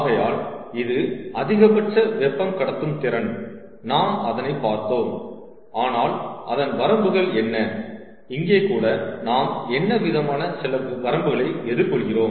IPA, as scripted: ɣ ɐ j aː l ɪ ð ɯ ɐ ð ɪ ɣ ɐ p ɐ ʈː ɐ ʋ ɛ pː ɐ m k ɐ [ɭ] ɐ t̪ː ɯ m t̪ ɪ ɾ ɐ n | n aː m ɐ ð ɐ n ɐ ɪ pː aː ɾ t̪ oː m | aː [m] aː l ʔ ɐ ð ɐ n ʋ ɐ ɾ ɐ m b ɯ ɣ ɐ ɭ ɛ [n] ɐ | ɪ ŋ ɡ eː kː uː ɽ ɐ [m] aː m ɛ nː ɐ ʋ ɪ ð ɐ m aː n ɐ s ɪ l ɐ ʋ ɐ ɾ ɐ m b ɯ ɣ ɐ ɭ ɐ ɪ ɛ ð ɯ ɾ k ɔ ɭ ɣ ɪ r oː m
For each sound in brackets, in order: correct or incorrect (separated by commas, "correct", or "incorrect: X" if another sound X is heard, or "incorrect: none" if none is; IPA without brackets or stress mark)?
incorrect: ɽ, incorrect: n, incorrect: nː, incorrect: n